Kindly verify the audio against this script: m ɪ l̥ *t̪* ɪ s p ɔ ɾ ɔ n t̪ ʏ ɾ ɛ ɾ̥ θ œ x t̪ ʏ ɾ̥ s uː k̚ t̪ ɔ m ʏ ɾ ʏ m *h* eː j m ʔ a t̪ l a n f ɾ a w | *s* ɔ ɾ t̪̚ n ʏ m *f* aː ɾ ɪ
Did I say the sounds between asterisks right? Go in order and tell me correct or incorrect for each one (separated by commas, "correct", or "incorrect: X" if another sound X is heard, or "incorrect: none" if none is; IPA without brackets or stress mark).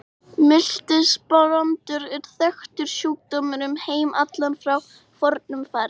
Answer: correct, correct, incorrect: f, correct